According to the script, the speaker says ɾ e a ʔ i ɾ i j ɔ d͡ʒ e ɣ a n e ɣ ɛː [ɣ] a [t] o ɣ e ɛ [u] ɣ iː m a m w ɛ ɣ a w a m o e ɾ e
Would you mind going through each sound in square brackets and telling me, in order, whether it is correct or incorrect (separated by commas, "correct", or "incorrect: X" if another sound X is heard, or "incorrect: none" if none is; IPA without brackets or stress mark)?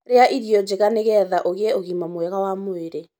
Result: incorrect: ð, incorrect: ʔ, incorrect: o